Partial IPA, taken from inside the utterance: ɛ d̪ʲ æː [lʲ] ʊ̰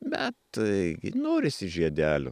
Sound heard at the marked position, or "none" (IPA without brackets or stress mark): lʲ